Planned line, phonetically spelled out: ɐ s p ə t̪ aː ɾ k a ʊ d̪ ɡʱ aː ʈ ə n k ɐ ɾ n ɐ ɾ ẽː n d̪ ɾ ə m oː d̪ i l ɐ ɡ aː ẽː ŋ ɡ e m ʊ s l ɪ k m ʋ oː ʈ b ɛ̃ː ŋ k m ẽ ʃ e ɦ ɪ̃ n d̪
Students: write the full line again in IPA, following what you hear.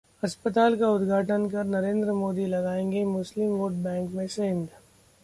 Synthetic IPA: ɐ s p ə t̪ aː l k a ʊ d̪ ɡʱ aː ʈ ə n k ɐ ɾ n ɐ ɾ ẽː n d̪ ɾ ə m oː d̪ i l ɐ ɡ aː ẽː ŋ ɡ e m ʊ s l ɪ m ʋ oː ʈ b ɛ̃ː ŋ k m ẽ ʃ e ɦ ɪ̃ n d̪